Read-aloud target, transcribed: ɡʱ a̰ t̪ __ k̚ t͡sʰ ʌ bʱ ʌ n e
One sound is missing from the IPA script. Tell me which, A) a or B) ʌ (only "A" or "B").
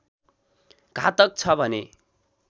B